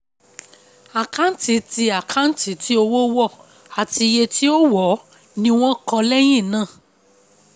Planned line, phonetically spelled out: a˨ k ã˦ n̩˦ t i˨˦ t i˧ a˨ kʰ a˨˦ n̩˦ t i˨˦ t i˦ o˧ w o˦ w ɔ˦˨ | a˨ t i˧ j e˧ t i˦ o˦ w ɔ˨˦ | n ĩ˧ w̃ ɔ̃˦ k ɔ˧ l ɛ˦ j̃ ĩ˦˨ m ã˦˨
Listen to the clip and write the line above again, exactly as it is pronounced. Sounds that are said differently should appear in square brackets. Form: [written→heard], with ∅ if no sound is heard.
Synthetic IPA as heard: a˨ k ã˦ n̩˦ t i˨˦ t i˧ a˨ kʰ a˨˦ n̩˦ t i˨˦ t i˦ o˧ w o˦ w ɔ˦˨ | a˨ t i˧ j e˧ t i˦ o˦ w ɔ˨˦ | n ĩ˧ w̃ ɔ̃˦ k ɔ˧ l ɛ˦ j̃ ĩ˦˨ [m→n] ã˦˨